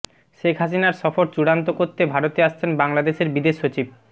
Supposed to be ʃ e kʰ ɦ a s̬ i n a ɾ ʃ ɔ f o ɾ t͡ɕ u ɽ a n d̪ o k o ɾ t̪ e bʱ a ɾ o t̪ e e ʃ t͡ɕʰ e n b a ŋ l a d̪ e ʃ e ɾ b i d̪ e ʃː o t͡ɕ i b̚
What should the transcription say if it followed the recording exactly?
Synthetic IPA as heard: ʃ e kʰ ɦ a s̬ i n a ɾ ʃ ɔ f o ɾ t͡ɕ u ɽ a n t̪ o k o ɾ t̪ e bʱ a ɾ o t̪ e a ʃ t͡ɕʰ e n b a ŋ l a d̪ e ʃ e ɾ b i d̪ e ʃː o t͡ɕ i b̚